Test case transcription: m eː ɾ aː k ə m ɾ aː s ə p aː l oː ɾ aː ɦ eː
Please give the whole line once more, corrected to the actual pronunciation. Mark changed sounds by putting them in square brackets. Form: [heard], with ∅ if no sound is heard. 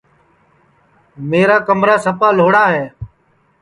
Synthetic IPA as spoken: m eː ɾ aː k ə m ɾ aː s ə p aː l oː [ɽ] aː ɦ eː